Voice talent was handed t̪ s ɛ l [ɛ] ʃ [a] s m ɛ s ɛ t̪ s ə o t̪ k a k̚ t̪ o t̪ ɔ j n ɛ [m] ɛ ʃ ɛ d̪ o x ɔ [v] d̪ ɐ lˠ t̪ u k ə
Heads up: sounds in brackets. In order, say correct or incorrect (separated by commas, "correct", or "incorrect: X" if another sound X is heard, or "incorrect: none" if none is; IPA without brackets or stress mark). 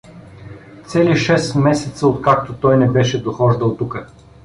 incorrect: i, incorrect: ɛ, incorrect: b, incorrect: ʒ